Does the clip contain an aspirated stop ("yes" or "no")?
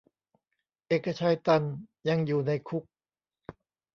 yes